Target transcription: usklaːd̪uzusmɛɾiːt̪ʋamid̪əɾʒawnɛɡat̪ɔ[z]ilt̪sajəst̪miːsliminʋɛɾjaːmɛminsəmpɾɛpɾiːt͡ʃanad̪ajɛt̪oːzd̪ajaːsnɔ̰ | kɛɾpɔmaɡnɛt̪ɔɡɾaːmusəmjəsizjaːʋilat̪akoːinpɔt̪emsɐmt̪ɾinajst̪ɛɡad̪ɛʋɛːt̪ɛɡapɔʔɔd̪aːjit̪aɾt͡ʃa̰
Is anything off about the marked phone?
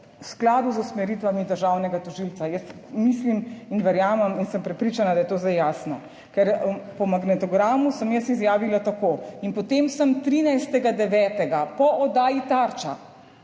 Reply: yes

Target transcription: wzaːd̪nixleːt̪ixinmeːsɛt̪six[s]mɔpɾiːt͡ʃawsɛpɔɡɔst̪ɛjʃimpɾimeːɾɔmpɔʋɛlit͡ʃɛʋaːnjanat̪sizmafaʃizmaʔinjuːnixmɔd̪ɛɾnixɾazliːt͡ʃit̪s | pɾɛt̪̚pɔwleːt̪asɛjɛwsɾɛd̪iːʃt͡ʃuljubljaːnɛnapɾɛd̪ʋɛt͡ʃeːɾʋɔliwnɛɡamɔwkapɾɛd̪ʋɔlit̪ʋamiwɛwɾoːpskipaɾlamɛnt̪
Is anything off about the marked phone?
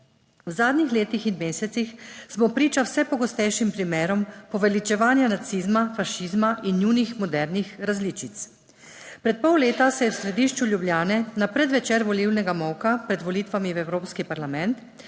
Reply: no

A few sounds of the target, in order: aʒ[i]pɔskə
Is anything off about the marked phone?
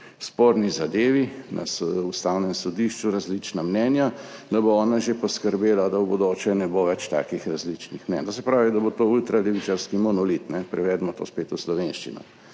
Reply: yes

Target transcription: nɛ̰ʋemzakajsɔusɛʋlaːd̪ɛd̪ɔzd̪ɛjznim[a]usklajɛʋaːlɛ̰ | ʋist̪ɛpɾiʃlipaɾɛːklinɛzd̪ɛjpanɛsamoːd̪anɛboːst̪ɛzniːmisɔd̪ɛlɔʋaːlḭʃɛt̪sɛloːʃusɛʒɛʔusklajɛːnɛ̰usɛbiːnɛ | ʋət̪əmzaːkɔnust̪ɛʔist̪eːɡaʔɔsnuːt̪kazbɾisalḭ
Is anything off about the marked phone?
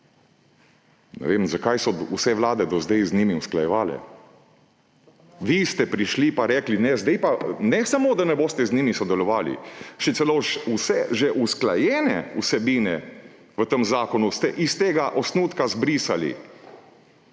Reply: yes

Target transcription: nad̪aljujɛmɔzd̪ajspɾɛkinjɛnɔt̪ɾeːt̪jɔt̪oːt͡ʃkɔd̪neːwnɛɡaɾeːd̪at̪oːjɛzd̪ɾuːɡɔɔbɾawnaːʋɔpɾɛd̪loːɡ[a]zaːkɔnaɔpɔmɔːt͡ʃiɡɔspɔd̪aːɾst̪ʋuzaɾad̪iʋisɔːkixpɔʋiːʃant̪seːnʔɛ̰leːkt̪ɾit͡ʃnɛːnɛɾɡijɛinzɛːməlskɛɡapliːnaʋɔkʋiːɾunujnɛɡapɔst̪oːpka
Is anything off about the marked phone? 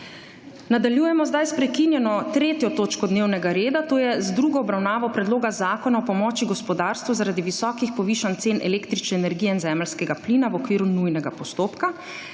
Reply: no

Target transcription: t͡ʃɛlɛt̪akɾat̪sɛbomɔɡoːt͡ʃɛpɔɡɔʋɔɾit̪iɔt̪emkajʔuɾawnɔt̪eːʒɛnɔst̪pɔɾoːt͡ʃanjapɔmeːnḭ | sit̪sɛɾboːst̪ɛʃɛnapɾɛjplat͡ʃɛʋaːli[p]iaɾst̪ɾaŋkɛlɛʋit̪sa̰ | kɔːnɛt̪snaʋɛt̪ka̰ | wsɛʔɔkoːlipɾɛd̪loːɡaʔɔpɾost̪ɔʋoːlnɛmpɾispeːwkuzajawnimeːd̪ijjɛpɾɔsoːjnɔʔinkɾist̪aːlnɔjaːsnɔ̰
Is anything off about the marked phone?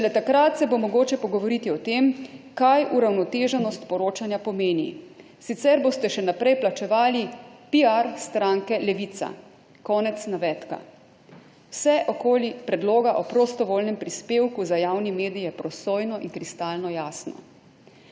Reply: no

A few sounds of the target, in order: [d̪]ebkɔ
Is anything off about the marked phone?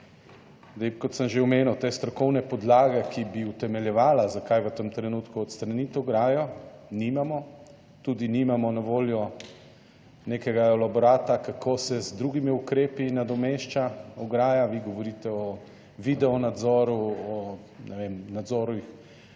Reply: no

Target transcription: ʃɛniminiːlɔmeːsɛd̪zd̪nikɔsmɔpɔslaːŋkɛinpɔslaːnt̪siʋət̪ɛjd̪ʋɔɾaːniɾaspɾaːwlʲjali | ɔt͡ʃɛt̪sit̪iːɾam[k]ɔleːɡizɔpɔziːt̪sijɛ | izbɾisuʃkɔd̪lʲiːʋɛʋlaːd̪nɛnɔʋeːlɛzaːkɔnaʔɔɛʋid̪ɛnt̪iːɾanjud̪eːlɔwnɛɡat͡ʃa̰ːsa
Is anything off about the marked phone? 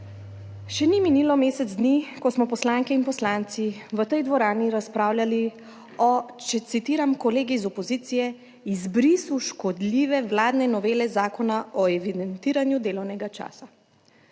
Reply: no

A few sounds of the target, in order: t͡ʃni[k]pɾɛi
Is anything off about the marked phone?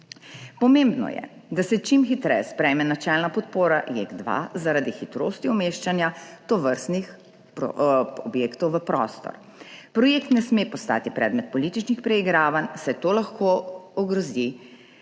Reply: yes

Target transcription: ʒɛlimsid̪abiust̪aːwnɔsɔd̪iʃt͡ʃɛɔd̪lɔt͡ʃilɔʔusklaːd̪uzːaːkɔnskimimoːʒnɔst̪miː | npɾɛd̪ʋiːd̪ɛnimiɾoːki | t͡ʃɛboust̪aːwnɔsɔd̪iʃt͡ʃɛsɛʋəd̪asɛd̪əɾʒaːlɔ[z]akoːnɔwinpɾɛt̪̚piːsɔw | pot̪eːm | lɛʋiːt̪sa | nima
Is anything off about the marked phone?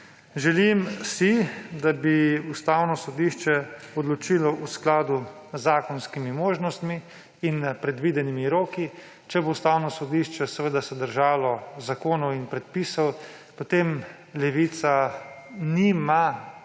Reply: no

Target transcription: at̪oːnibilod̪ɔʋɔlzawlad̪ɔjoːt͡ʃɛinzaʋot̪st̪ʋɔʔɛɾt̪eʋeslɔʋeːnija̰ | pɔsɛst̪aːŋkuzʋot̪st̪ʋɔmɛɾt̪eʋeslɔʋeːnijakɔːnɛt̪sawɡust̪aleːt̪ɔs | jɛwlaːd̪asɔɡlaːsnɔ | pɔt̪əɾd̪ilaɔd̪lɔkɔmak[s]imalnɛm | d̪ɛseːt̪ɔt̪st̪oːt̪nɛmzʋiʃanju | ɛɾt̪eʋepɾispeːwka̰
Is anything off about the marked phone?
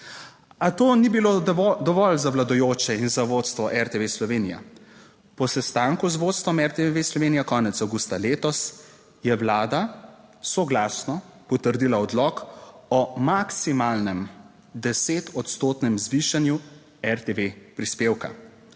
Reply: no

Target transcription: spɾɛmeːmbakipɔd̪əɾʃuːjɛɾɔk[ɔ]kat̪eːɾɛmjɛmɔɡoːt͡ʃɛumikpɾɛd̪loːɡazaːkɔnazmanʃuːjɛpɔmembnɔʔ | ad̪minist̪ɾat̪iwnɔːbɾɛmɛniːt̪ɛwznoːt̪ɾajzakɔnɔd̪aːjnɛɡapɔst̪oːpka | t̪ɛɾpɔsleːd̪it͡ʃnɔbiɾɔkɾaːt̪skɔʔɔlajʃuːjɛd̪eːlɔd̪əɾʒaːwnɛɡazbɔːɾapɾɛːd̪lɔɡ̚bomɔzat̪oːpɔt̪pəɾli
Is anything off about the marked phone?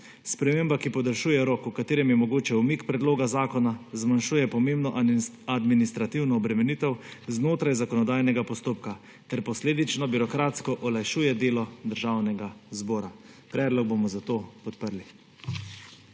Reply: yes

